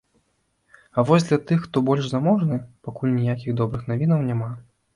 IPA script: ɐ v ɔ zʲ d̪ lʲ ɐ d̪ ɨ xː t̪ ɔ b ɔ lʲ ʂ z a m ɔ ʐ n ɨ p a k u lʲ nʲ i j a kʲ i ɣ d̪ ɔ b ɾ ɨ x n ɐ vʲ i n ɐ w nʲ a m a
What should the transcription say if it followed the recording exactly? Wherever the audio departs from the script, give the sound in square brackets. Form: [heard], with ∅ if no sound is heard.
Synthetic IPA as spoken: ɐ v ɔ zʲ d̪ lʲ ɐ [t̪] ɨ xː t̪ ɔ b ɔ lʲ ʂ z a m ɔ ʐ n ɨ p a k u lʲ nʲ i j a kʲ i ɣ d̪ ɔ b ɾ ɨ x n [a] vʲ i n ɐ w nʲ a m a